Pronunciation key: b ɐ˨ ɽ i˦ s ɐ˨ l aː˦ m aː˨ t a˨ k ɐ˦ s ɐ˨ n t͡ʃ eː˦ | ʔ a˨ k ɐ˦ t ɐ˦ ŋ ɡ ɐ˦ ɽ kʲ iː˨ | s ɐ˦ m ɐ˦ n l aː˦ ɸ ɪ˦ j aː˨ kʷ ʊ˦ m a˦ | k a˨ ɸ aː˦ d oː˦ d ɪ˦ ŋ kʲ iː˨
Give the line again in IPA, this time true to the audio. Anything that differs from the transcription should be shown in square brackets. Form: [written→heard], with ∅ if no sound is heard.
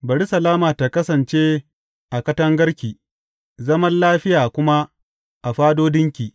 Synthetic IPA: b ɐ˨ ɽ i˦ s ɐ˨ l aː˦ m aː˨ t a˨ k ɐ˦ s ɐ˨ n t͡ʃ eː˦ | ʔ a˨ k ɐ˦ t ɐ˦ ŋ ɡ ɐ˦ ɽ kʲ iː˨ | [s→z] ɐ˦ m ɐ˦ n l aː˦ ɸ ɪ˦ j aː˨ kʷ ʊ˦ m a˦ | [k→ʔ] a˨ ɸ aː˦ d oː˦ d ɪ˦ ŋ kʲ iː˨